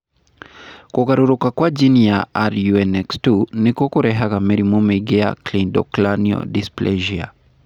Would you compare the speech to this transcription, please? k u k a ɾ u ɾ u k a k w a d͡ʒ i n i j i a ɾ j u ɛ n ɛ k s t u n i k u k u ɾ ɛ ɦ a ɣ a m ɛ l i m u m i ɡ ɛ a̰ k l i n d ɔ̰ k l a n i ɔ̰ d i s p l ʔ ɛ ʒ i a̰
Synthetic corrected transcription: k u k a ɾ u ɾ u k a k w a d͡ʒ i n i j a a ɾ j u ɛ n ɛ k s t u n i k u k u ɾ ɛ ɦ a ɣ a m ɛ ɾ i m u m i ɡ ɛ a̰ k l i n d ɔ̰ k l a n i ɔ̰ d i s p l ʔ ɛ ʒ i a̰